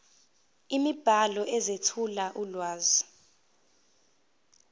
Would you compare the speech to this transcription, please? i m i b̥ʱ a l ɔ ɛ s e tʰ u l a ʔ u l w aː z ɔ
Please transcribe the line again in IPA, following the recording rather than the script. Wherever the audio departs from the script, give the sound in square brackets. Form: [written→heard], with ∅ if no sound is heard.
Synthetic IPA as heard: i m i b̥ʱ a l ɔ ɛ [s→z] e tʰ u l a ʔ u l w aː z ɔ

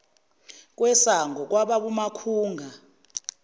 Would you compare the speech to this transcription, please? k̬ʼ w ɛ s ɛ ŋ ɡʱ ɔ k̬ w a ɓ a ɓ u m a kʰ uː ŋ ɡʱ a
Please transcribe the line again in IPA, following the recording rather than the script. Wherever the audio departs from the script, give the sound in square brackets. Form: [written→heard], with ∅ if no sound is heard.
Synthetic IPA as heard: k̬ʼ w ɛ s [ɛ→a] ŋ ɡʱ ɔ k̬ w a ɓ a ɓ u m a kʰ uː ŋ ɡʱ a

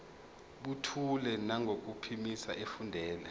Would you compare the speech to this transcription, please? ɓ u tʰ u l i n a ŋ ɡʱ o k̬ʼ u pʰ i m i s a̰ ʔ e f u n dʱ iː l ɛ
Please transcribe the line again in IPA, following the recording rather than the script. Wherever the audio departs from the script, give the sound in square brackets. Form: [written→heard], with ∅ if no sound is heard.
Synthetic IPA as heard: ɓ u tʰ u l [i→ɛ] n a ŋ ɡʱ o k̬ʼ u pʰ i m i s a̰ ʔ e f u n dʱ [iː→ɛː] l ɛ

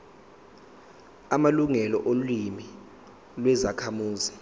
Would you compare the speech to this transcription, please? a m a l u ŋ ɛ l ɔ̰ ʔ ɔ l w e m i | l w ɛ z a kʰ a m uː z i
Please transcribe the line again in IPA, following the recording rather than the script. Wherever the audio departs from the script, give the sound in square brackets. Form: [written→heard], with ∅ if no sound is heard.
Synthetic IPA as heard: a m a l u ŋ ɛ l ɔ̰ ʔ [ɔ→o] l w [e→i] m i | l w ɛ z a kʰ a m uː z i

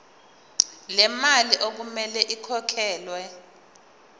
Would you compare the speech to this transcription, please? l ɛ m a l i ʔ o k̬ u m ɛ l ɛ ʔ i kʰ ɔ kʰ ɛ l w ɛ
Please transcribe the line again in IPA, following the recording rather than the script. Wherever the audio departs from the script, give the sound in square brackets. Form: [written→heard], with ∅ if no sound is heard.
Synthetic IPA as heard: l ɛ m a l i ʔ o k̬ u m ɛ l ɛ ʔ i kʰ ɔ kʰ [ɛ→ɛː] l w ɛ

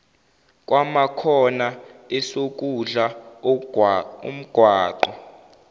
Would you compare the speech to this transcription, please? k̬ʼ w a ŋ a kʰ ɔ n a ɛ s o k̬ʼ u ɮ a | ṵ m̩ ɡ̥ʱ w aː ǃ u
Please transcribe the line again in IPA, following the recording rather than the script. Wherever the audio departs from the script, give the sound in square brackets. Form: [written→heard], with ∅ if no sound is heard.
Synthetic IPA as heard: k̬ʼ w a [ŋ→m] a kʰ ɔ n a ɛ s o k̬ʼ u ɮ a | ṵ m̩ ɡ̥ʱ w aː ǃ [u→ɔ]

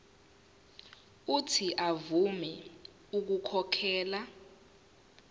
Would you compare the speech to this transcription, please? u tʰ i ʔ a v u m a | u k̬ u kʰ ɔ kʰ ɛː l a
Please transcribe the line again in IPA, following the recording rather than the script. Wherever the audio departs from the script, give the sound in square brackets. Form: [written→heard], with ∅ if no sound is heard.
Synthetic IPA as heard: u tʰ i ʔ a v u m [a→ɛ] | u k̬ u kʰ ɔ kʰ ɛː l a

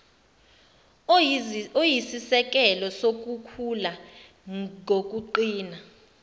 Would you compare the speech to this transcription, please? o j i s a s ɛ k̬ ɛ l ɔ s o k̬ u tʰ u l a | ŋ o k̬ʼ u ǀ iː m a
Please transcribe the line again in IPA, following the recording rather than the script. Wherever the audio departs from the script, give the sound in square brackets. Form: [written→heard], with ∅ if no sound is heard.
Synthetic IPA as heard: o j i s [a→i] s ɛ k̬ ɛ l ɔ s o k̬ u [tʰ→kʰ] u l a | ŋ o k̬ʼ u [ǀ→ǃ] iː [m→n] a

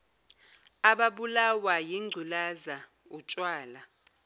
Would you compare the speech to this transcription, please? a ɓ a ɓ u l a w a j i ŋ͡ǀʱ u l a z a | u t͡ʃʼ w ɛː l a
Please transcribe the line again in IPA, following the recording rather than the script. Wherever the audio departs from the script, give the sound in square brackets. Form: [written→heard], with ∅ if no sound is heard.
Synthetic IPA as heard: a ɓ a ɓ u l a w a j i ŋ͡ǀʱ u l a z a | u t͡ʃʼ w [ɛː→aː] l a

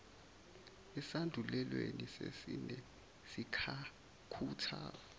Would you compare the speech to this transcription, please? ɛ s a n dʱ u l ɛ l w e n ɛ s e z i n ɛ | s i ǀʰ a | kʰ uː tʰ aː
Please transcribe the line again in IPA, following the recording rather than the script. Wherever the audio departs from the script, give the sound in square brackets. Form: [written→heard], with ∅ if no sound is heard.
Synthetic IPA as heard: ɛ s a n dʱ u l ɛ l w e n [ɛ→i] s e [z→s] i n ɛ | s i [ǀʰ→kʰ] a | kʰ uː tʰ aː

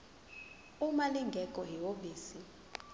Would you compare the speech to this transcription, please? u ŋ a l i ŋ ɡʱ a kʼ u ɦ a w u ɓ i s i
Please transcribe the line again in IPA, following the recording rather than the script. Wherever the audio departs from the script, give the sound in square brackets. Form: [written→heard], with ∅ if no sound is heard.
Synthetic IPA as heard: u [ŋ→m] a l i ŋ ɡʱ [a→ɛ] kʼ [u→ɔ] ɦ [a→i] w [u→o] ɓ [i→iː] s i

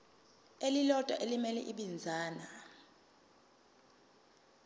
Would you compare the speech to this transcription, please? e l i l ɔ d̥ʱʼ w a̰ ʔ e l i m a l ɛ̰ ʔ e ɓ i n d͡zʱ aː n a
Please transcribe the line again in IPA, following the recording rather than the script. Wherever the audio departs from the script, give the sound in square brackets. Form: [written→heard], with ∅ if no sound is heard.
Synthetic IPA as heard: e l i l ɔ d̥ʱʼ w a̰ ʔ e l i m [a→ɛ] l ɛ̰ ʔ [e→i] ɓ i n d͡zʱ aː n a

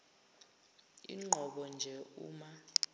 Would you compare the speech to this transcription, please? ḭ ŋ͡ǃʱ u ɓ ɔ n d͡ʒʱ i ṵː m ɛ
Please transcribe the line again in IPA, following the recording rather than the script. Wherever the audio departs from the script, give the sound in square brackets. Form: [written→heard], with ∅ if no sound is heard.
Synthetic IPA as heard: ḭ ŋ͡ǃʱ [u→ɔ] ɓ ɔ n d͡ʒʱ [i→ɛ] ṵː m [ɛ→a]

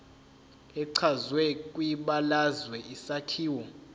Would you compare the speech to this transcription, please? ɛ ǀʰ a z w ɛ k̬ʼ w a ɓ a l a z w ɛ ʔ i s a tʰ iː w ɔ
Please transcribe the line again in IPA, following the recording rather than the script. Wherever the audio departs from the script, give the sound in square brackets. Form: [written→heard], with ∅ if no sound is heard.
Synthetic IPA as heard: ɛ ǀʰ a z w ɛ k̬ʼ w [a→i] ɓ a l a z w ɛ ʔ i s a tʰ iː w ɔ

